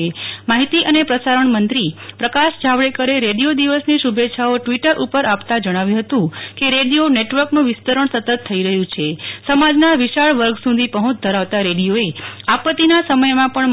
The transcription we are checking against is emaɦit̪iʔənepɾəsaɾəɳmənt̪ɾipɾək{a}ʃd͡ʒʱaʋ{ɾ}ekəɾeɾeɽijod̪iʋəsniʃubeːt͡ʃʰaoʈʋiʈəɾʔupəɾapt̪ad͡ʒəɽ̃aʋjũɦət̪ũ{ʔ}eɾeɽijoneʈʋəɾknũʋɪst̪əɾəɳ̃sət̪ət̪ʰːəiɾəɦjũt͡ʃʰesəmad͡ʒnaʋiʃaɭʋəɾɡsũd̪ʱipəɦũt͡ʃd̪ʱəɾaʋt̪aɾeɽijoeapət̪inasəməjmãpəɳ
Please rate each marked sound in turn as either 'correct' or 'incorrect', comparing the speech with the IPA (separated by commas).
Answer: correct, incorrect, incorrect